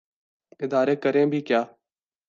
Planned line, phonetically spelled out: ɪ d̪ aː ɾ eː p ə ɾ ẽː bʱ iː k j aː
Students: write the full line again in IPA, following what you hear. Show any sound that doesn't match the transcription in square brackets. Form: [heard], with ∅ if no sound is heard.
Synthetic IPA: ɪ d̪ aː ɾ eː [k] ə ɾ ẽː bʱ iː k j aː